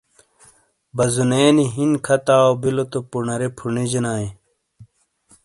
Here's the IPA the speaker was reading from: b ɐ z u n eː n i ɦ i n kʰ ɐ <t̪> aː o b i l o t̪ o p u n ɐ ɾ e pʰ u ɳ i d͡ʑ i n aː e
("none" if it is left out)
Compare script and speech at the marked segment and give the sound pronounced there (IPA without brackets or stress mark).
t̪